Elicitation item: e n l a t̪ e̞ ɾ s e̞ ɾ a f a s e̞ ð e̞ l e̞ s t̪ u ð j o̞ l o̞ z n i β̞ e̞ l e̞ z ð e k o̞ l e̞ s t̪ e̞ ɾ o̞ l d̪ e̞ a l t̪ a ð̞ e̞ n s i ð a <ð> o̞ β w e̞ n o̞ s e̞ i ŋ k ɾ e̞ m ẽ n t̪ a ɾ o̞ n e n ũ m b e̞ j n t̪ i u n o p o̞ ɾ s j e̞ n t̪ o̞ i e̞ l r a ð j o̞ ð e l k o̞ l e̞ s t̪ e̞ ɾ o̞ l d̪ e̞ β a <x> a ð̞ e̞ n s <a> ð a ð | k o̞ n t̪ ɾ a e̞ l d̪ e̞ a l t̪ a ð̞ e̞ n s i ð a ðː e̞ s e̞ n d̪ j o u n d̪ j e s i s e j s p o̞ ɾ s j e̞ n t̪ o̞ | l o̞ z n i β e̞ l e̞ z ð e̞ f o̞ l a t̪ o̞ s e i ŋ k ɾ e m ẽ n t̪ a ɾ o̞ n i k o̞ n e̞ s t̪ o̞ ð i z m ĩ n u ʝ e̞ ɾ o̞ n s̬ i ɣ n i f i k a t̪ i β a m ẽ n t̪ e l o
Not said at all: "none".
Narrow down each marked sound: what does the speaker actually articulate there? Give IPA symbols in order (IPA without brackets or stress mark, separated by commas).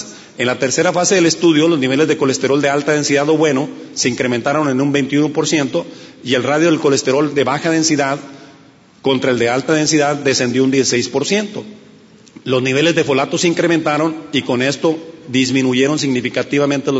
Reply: ð, x, i